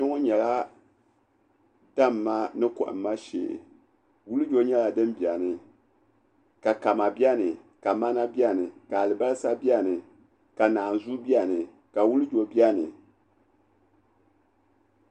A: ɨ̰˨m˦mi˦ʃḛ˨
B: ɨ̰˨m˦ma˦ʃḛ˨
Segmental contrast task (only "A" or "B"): B